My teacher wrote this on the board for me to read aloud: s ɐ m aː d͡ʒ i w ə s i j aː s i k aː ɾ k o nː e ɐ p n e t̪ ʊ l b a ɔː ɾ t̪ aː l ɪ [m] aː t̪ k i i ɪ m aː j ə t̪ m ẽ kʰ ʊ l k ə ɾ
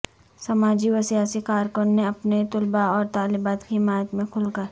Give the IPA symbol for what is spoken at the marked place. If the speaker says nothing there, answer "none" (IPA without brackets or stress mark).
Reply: b